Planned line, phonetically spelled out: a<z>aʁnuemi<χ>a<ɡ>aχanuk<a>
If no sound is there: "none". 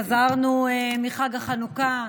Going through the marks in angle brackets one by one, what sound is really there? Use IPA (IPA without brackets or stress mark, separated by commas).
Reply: z, χ, ɡ, a